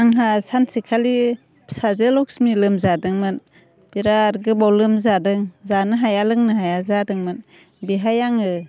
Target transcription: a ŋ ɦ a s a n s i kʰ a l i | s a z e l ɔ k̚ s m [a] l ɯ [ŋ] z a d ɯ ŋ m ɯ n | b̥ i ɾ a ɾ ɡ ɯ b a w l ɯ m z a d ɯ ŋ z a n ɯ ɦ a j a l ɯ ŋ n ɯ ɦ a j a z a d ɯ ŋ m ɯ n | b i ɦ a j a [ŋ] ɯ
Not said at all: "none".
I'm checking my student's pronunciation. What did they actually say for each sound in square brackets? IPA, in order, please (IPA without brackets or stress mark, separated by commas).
i, m, ŋ